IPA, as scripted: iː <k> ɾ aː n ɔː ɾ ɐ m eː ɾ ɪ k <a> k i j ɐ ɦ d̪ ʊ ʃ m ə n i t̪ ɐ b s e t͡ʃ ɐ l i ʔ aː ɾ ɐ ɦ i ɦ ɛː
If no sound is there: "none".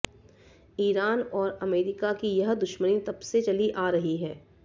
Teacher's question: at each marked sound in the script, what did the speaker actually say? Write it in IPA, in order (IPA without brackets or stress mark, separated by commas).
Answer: none, a